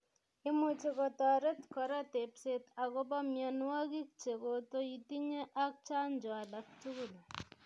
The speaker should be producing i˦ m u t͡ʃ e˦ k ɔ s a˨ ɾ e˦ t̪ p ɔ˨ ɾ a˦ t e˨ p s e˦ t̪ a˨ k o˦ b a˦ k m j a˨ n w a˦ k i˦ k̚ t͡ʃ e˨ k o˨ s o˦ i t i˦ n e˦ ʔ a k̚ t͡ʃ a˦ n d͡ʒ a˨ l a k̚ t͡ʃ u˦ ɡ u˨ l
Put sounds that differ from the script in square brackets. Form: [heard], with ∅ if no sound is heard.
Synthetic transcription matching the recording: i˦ m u t͡ʃ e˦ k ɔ [t] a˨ ɾ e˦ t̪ [k] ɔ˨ ɾ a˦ t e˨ p s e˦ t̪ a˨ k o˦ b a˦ [∅] m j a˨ n w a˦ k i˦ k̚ t͡ʃ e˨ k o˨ [t] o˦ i t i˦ [ɲ] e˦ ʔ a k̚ t͡ʃ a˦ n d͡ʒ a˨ l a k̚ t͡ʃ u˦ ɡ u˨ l